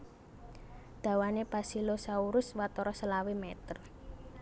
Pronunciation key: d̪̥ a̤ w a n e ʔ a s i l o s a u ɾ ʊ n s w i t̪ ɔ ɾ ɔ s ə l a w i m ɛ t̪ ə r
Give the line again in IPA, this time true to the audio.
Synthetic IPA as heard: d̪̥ a̤ w a n e p a s i l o s a u ɾ ʊ s w a t̪ ɔ ɾ ɔ s ə l a w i m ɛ t̪ ə r